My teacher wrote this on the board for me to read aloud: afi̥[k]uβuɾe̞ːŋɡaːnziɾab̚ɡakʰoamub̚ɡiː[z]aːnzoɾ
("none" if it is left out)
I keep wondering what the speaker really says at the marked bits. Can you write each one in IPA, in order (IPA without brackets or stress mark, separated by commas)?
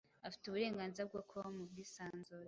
t, s